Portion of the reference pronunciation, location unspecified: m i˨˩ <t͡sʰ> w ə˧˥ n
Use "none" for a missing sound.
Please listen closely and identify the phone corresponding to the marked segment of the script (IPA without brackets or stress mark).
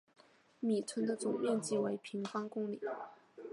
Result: t͡sʰ